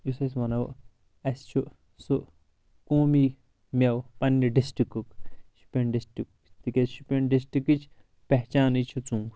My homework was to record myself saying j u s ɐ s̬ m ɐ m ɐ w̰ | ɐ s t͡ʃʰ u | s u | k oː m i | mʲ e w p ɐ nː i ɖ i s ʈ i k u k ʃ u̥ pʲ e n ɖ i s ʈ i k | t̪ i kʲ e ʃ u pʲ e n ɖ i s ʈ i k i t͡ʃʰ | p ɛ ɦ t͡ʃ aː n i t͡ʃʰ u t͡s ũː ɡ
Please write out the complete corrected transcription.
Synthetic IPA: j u s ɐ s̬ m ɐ n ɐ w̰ | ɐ s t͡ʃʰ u | s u | k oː m i | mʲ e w p ɐ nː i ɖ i s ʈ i k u k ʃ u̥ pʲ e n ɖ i s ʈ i k | t̪ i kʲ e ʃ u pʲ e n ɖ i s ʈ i k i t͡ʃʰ | p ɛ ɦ t͡ʃ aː n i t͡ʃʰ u t͡s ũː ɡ